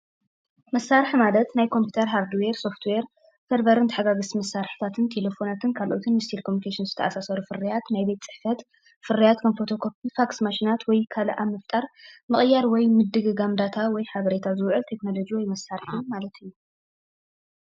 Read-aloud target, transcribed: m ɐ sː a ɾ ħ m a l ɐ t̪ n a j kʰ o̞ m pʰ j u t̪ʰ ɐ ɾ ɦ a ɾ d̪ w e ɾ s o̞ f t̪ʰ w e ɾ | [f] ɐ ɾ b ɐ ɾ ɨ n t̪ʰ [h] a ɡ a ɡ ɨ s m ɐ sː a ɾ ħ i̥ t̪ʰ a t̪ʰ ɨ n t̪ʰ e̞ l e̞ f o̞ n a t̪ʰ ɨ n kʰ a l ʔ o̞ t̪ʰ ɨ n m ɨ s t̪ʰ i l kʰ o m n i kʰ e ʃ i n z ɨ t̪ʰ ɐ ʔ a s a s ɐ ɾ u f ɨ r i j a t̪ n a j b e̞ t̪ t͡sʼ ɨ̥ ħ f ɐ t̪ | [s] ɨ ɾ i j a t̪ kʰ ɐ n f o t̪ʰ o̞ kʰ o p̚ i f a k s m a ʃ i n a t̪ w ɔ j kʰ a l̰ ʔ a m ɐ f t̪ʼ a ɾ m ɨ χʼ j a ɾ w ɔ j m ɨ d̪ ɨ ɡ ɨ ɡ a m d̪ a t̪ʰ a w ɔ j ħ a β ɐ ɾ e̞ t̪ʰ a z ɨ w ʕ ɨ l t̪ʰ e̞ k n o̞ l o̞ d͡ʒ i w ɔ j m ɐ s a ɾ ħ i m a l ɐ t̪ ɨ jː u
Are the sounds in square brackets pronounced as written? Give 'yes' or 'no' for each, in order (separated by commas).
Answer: yes, no, no